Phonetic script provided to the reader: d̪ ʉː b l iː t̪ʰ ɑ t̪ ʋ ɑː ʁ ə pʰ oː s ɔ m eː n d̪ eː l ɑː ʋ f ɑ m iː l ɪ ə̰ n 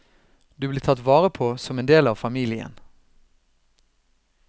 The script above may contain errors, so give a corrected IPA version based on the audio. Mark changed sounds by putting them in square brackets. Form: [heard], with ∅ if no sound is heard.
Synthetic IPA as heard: d̪ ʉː b l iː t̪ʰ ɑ t̪ ʋ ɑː ʁ ə pʰ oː s ɔ m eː n d̪ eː l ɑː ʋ f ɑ m iː l ɪ ə̰ n